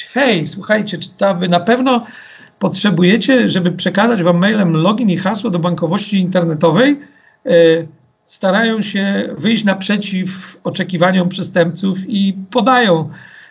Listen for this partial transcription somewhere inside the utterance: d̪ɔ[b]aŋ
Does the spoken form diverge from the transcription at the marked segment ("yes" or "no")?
no